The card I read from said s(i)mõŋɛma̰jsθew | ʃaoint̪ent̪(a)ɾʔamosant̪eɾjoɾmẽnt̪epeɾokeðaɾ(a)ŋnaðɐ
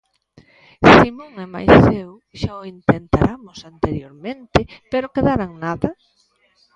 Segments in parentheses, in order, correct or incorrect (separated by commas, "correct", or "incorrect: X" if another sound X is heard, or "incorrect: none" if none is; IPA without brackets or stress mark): correct, correct, correct